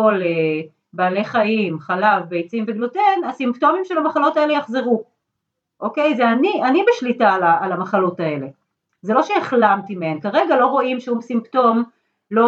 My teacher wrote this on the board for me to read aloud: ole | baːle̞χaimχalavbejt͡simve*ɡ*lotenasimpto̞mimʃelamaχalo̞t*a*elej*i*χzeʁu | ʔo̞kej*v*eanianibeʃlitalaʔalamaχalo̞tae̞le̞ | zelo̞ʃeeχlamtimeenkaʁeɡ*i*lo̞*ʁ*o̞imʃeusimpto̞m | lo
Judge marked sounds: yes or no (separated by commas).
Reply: yes, yes, no, no, no, yes